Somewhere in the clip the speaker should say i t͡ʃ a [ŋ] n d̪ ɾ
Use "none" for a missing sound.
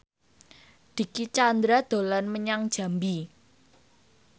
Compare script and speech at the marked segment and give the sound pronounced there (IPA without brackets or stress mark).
none